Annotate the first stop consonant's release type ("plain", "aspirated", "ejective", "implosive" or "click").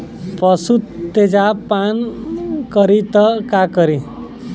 plain